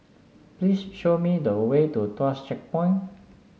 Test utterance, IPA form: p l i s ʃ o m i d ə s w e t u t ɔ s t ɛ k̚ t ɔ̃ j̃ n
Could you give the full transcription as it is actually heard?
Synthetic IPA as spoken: p l i s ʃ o m i d ə w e t u t ɔ s t͡ʃ ɛ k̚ p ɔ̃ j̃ n